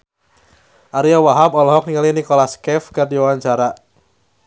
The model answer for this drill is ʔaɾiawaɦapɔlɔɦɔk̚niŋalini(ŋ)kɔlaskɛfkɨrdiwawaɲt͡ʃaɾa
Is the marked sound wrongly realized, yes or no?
yes